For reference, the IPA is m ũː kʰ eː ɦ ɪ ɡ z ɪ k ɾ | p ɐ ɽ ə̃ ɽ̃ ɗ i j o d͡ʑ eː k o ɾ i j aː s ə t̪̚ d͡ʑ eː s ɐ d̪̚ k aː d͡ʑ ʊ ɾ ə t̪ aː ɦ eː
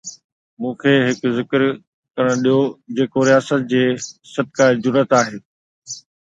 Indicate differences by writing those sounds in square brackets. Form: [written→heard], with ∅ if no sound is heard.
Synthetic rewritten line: m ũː kʰ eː ɦ ɪ [ɡ→k] z ɪ k ɾ | [p→k] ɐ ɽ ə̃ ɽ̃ ɗ i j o d͡ʑ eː k o ɾ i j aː s ə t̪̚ d͡ʑ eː s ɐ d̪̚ k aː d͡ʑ ʊ ɾ ə t̪ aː ɦ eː